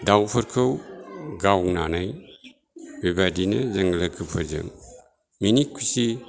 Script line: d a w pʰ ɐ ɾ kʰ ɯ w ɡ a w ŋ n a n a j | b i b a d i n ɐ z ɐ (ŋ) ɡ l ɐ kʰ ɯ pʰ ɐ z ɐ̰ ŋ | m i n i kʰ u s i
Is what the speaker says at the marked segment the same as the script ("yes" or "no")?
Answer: yes